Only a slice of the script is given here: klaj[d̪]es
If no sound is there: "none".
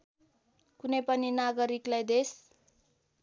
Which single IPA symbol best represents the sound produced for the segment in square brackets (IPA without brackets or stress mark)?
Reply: d̪